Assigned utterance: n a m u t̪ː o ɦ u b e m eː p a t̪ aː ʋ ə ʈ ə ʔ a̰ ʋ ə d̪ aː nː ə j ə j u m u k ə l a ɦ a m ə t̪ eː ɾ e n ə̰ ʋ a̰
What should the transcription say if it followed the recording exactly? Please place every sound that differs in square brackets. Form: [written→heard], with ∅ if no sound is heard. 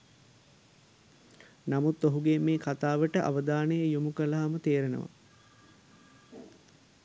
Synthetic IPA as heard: n a m u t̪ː o ɦ u [b→ɡ] e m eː [p→k] a t̪ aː ʋ ə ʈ ə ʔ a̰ ʋ ə d̪ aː [nː→n] ə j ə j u m u k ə l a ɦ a m ə t̪ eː ɾ e n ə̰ ʋ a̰